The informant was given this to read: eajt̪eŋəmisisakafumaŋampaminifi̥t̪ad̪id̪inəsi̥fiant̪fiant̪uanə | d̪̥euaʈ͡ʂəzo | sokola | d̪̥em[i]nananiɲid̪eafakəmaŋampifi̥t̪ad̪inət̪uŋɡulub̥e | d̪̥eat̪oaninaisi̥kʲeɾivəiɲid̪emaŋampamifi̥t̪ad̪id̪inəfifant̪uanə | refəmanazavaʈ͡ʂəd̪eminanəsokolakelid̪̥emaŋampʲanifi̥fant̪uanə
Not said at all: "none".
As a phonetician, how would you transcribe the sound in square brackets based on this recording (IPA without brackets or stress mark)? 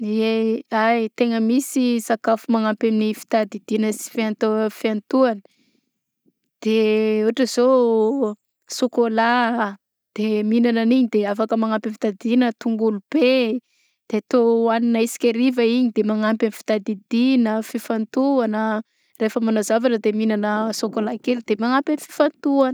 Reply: i